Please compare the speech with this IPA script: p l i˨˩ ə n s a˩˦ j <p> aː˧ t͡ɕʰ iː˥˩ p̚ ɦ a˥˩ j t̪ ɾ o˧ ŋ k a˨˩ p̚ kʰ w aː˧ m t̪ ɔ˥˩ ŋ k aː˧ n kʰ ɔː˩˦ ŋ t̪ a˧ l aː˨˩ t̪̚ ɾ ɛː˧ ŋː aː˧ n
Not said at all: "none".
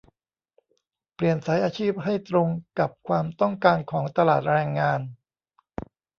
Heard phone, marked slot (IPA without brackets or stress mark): ʔ